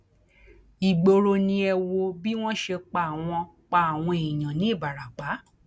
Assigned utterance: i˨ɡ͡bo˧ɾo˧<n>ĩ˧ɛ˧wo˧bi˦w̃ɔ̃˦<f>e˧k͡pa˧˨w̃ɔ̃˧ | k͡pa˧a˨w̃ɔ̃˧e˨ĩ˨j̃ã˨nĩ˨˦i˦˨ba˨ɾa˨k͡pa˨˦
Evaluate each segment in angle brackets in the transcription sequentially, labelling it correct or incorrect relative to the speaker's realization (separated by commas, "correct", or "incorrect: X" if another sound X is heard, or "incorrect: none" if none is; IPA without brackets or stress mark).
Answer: correct, incorrect: ʃ